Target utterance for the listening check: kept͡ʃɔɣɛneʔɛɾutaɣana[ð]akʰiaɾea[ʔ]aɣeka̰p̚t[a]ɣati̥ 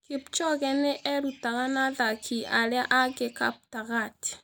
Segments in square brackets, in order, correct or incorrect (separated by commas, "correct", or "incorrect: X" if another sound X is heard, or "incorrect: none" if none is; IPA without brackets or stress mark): correct, correct, correct